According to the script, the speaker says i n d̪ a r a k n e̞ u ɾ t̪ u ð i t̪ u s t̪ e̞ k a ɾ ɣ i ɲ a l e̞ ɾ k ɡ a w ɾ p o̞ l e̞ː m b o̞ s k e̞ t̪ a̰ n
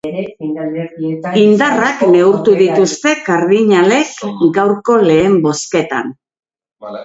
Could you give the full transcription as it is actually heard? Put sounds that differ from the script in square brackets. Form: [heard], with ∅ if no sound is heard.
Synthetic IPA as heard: i n d̪ a r a k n e̞ u ɾ t̪ u ð i t̪ u s t̪ e̞ k a ɾ [ð] i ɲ a l e̞ [∅] k ɡ a w ɾ [k] o̞ l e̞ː m b o̞ s k e̞ t̪ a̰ n